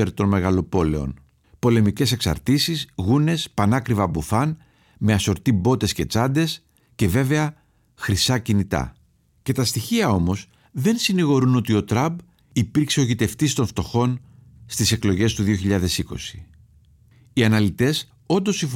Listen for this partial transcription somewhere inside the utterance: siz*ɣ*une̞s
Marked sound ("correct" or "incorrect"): correct